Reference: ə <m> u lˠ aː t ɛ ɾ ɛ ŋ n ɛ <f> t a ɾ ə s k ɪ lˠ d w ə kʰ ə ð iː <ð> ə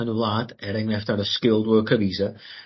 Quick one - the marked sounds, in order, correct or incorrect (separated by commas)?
incorrect, correct, incorrect